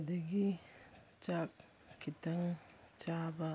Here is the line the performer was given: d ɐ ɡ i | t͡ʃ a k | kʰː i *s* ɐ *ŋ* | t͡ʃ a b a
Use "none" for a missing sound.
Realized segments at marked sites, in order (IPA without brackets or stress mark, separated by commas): t, ŋ